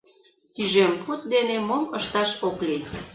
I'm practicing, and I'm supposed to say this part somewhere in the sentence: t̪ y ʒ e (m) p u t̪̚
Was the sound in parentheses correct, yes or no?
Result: yes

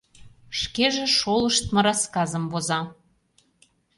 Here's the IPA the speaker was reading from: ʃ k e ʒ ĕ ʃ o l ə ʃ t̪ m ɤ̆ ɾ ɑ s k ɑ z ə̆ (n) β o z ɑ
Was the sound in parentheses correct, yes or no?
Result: no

